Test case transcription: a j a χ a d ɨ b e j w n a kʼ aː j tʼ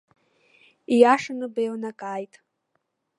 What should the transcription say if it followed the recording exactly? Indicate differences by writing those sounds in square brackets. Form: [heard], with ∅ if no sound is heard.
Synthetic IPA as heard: [i] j a [ʂ] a [n] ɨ b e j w n a kʼ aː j tʼ